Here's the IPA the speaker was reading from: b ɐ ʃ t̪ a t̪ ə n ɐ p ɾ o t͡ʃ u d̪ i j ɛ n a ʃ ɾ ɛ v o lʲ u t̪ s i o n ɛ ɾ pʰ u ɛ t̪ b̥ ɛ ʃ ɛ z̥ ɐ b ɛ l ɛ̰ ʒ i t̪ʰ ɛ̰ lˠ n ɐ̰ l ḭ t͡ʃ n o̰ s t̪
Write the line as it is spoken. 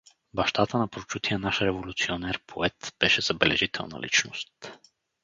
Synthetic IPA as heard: b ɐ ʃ t̪ a t̪ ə n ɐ p ɾ o t͡ʃ u t̪ i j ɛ n a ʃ ɾ ɛ v o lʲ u t̪ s i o n ɛ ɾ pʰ o ɛ t̪ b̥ ɛ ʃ ɛ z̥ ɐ b ɛ l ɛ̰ ʒ i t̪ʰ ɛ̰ lˠ n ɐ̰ l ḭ t͡ʃ n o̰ s t̪